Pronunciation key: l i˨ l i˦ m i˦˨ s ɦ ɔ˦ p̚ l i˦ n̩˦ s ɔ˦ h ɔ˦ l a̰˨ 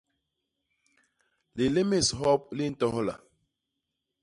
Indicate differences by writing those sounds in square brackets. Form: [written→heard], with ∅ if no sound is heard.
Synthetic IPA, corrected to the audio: l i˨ l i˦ m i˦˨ s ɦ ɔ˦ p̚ l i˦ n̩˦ [s→t] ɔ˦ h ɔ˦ l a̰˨